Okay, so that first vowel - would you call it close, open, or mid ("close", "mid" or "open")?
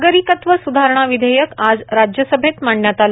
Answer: mid